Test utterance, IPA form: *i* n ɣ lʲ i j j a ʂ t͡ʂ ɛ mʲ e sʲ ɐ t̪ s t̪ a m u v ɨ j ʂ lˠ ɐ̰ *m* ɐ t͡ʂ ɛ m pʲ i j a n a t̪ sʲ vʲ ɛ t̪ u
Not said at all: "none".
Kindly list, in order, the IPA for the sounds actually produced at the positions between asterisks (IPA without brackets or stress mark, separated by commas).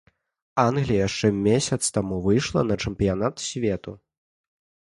a, n